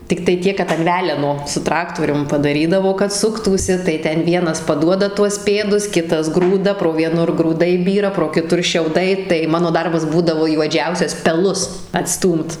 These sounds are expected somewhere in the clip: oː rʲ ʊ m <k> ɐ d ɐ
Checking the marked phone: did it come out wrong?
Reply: yes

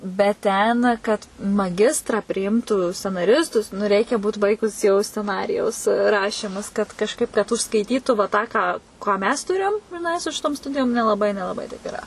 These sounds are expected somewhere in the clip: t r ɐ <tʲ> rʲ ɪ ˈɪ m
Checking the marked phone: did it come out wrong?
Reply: yes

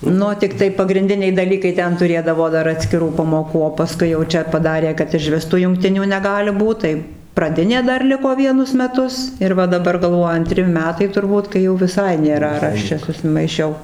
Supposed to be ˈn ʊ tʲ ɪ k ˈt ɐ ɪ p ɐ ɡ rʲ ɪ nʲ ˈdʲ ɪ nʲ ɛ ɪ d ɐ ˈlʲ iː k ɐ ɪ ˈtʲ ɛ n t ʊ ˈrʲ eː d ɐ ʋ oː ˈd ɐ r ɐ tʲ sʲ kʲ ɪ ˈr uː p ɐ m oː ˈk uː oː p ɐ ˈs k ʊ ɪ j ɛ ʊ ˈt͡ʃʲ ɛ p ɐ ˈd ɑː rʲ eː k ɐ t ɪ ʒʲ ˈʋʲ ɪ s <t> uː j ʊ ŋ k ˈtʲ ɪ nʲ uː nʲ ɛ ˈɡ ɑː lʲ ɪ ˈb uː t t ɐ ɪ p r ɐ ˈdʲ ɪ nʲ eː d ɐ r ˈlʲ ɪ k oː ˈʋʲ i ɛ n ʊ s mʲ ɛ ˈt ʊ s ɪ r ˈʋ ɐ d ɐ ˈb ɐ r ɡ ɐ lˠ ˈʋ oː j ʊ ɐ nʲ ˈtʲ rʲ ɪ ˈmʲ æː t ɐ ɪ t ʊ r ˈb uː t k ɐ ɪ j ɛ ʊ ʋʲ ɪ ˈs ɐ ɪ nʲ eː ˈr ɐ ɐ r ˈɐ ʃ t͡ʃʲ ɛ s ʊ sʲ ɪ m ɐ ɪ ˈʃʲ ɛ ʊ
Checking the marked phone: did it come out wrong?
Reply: no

